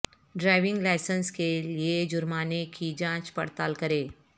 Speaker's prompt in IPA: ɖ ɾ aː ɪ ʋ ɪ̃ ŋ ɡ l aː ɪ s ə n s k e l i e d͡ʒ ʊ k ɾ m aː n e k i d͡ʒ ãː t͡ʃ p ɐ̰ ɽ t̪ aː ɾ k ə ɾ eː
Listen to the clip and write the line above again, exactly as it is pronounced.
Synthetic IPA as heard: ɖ ɾ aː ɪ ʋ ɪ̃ ŋ ɡ l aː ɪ s ə n s k e l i e d͡ʒ ʊ ɾ m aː n e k i d͡ʒ ãː t͡ʃ p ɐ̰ ɽ t̪ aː l k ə ɾ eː